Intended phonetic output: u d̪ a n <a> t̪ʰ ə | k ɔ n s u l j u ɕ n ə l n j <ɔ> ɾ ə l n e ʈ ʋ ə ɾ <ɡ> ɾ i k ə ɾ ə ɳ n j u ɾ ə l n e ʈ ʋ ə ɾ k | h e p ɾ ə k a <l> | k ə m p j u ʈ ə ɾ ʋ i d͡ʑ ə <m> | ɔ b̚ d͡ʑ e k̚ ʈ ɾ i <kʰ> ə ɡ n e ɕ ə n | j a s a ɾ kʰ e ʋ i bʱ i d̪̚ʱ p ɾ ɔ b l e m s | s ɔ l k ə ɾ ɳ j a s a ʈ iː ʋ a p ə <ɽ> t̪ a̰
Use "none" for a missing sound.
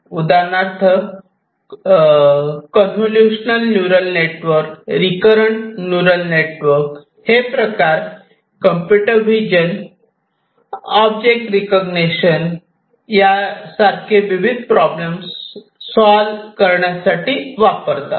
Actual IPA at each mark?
a, u, k, ɾ, n, k, ɾ

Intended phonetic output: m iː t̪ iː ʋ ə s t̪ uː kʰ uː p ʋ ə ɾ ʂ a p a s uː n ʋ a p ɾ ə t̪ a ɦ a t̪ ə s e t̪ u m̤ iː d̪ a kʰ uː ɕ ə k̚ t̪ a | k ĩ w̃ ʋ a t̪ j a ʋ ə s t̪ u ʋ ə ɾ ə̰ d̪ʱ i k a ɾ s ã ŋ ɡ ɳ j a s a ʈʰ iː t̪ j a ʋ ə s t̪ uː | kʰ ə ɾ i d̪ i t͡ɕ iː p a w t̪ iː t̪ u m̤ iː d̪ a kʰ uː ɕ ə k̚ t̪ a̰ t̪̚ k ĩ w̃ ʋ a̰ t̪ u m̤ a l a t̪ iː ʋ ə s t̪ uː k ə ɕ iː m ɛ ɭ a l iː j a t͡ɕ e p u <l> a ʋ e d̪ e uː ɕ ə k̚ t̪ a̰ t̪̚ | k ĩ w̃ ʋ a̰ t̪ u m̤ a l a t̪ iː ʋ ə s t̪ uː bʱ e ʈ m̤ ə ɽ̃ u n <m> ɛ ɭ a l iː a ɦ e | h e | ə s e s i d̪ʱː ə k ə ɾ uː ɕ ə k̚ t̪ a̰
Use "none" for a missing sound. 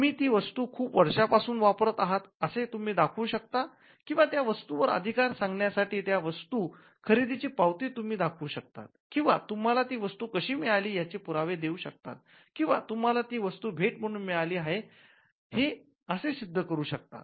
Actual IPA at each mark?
ɾ, m

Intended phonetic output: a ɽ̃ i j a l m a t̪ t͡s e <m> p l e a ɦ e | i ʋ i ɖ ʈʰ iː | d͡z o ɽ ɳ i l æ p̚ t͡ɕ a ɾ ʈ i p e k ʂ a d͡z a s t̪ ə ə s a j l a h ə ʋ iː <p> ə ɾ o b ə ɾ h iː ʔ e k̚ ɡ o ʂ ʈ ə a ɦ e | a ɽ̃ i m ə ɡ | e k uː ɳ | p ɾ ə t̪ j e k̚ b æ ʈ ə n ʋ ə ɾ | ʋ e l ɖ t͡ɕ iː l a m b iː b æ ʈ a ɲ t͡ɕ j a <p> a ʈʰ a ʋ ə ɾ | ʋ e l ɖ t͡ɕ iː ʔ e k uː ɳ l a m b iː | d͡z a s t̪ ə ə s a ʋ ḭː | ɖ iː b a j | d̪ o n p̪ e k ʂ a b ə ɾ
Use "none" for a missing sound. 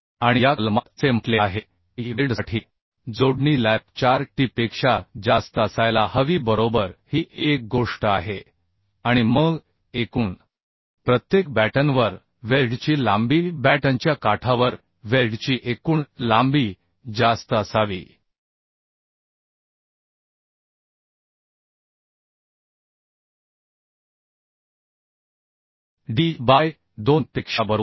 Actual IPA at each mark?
m, b, k

